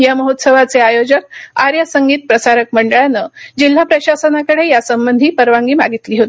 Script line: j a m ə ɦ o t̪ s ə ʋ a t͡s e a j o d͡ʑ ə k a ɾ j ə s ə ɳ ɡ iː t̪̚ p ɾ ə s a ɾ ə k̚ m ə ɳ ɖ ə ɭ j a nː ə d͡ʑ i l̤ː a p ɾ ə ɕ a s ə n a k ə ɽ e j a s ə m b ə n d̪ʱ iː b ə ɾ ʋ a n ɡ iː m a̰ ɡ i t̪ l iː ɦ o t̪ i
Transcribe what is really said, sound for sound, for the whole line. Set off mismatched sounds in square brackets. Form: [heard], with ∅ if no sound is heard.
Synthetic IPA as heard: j a m ə ɦ o t̪ s ə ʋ a t͡s e a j o d͡ʑ ə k a ɾ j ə s ə [ŋ] ɡ iː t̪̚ p ɾ ə s a ɾ ə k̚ m ə ɳ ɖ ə ɭ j a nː ə d͡ʑ i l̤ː a p ɾ ə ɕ a s ə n a k ə ɽ e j a s ə m b ə n d̪ʱ iː [p] ə ɾ ʋ a [ŋ] ɡ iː m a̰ ɡ i t̪ l iː ɦ o t̪ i